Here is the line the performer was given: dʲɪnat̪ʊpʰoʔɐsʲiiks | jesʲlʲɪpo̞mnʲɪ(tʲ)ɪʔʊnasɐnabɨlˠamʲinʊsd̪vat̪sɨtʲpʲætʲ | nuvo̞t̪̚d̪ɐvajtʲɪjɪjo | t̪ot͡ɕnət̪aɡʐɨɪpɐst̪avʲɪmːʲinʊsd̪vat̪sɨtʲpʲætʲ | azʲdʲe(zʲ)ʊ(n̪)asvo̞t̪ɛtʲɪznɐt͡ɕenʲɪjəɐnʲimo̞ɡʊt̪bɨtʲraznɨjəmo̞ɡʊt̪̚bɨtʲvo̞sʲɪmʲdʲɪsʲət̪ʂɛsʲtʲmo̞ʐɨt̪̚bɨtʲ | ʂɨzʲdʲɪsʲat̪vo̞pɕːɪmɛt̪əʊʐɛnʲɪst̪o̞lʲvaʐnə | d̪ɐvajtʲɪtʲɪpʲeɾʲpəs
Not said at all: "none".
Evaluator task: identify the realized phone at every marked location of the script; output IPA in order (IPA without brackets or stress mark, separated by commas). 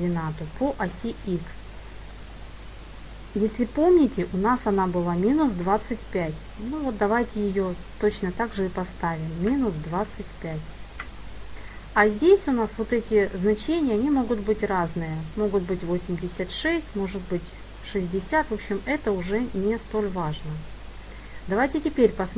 tʲ, sʲ, n̪